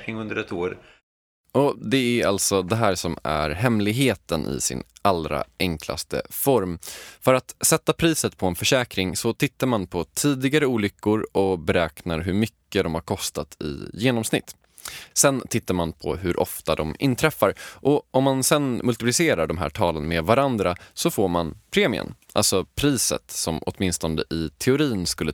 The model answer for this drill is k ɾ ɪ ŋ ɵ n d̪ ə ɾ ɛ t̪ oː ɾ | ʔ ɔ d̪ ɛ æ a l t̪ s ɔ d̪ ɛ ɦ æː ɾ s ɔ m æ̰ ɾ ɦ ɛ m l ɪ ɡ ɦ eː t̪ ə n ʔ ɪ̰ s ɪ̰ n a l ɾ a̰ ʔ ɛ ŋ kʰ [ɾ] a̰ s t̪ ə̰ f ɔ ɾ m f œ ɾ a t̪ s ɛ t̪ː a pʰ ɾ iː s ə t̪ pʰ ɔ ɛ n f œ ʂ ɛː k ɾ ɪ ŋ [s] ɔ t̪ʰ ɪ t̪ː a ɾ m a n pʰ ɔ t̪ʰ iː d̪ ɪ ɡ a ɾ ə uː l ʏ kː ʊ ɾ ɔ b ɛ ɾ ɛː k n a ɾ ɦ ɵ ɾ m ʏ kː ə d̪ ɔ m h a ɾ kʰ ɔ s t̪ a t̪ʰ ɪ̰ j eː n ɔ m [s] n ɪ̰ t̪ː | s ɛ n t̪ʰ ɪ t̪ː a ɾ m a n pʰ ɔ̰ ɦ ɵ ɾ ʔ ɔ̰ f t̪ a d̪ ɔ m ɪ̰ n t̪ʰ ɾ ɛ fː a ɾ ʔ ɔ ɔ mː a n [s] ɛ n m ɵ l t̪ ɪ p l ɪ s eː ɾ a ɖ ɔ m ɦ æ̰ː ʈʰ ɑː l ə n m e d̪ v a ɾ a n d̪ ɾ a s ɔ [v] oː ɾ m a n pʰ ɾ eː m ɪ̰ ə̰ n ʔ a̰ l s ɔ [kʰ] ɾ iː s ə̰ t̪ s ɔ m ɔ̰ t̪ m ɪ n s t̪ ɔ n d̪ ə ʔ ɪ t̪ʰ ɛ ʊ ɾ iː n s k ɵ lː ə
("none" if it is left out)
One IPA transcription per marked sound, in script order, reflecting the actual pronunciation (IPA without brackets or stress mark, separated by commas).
l, s, s, s, f, pʰ